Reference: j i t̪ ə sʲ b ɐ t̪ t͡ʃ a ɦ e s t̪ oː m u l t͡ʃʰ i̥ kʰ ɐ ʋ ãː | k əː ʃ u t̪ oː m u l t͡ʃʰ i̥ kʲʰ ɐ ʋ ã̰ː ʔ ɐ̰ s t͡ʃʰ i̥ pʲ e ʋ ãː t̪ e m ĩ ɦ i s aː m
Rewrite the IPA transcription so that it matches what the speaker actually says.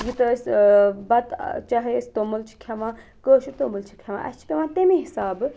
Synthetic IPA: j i t̪ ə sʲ b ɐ t̪ t͡ʃ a ɦ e s t̪ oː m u l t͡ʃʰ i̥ kʰ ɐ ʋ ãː | k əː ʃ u t̪ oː m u l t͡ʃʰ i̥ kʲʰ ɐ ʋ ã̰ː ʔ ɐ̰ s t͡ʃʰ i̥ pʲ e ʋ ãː t̪ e m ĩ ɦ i s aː b